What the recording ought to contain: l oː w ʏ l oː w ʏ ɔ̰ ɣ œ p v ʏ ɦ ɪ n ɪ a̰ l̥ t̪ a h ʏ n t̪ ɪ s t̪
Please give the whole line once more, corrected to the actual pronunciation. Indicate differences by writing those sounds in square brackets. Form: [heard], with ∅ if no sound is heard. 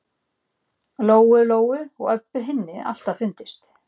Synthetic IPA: l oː w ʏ l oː w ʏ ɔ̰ ɣ œ p v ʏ ɦ ɪ [nː] ɪ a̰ l̥ t̪ a [f] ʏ n t̪ ɪ s t̪